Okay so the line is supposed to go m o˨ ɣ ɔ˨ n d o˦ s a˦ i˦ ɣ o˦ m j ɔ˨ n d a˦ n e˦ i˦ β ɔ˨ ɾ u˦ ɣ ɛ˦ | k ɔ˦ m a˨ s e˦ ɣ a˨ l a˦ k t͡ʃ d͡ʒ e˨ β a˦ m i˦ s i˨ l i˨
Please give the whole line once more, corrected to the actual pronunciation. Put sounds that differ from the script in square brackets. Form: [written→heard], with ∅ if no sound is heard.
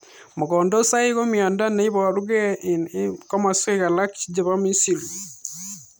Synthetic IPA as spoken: m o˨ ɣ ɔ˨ n d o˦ s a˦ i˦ ɣ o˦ m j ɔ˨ n d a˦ n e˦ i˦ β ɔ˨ ɾ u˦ ɣ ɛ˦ | k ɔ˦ m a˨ s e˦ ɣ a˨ l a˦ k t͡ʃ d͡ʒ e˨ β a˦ m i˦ s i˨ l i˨